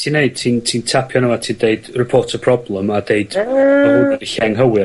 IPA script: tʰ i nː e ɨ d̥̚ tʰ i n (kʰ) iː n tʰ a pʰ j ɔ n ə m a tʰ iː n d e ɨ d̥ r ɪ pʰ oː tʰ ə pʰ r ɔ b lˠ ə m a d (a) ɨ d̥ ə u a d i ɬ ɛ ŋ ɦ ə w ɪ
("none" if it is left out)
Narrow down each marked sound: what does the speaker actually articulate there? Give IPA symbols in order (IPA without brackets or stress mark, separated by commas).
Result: tʰ, e